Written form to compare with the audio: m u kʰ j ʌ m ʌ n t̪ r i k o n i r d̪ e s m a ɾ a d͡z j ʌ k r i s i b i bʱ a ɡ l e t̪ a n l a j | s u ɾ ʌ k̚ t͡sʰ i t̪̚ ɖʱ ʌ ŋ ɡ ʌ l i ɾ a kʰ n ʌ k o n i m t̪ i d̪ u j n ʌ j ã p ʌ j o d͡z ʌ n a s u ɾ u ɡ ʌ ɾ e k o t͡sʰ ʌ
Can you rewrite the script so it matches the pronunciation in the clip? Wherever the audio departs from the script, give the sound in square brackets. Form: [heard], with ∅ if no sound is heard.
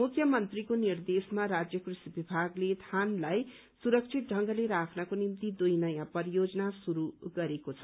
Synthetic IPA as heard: m u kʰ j ʌ m ʌ n t̪ r i k o n i r d̪ e s m a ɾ a d͡z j ʌ k r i s i b i bʱ a ɡ l e [t̪ʰ] a n l a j | s u ɾ ʌ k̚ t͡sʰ i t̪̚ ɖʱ ʌ ŋ ɡ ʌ l [e] ɾ a kʰ n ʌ k o n i m t̪ i d̪ u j n ʌ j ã p ʌ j o d͡z ʌ n a s u ɾ u ɡ ʌ ɾ e k o t͡sʰ ʌ